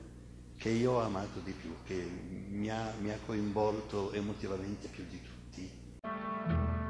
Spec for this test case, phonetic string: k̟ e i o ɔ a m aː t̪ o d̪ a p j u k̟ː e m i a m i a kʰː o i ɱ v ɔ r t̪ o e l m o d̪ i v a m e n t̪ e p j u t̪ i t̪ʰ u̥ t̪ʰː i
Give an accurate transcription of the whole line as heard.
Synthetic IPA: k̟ e i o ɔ a m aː t̪ o d̪ i p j u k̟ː e m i a m i a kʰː o i ɱ v ɔ l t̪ o e m o t̪ i v a m e n t̪ e p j u d̪ i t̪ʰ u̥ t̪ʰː i